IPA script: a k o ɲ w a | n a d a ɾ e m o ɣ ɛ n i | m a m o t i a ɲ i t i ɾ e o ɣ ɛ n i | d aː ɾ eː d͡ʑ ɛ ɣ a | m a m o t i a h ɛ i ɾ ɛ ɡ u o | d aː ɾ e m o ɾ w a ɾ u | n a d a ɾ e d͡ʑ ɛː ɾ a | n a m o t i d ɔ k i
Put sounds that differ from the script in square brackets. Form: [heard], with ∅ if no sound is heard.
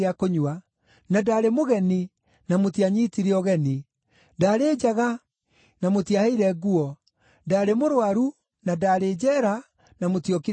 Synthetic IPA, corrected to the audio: a k o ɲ w a | n a d a ɾ e m o ɣ ɛ n i | [n] a m o t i a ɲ i t i ɾ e [ɔ] ɣ ɛ n i | d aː ɾ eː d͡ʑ [a] ɣ a | [n] a m o t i a h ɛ i ɾ ɛ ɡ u [ɔ] | d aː ɾ e m o ɾ w a ɾ u | n a d a ɾ e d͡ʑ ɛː ɾ a | n a m o t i [∅] ɔ k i